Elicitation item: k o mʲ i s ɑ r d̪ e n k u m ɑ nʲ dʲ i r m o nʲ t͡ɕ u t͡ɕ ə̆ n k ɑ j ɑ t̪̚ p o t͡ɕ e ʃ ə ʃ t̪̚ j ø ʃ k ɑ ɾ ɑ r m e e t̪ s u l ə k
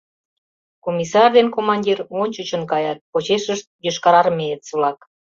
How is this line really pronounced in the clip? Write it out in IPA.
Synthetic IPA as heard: k o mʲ i s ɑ r d̪ e n k o m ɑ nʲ dʲ i r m o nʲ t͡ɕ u t͡ɕ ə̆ n k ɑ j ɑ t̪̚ p o t͡ɕ e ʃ ə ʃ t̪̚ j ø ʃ k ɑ ɾ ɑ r m e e t̪ s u l ɑ k